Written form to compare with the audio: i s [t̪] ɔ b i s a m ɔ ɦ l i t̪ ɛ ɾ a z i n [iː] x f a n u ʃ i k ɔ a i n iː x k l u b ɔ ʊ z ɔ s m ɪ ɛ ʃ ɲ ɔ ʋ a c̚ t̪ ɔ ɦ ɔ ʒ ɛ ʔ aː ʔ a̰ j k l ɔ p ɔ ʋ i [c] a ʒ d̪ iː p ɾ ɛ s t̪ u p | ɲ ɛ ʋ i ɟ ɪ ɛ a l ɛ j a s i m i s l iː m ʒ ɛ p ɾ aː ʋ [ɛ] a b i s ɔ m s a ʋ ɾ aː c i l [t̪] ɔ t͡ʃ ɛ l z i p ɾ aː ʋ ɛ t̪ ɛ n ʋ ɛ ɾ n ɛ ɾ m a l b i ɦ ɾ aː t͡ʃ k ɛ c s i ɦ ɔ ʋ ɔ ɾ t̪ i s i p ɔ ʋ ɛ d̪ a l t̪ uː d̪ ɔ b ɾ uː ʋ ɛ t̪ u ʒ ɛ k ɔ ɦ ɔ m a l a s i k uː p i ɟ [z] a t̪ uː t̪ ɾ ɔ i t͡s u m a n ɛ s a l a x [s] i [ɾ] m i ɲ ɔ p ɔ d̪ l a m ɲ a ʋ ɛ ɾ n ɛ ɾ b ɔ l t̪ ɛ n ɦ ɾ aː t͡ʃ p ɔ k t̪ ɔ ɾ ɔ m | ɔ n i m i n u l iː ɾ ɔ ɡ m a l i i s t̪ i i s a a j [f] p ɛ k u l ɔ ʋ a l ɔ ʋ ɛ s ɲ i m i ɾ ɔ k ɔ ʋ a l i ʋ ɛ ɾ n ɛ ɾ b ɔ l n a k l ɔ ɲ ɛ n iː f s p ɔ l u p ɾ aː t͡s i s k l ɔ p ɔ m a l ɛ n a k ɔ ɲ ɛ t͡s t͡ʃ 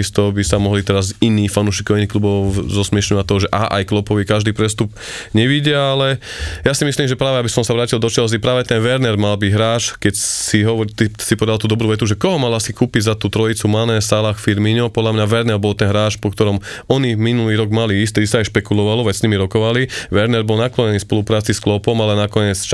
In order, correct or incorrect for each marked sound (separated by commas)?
correct, correct, incorrect, correct, incorrect, correct, incorrect, correct, incorrect